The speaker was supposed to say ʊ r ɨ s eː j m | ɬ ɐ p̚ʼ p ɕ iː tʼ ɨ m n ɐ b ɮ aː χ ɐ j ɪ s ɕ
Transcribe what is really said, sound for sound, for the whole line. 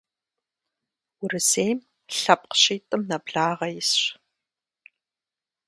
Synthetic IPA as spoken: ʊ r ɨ s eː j m | ɬ ɐ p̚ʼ q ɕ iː tʼ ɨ m n ɐ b ɮ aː ʁ ɐ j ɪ s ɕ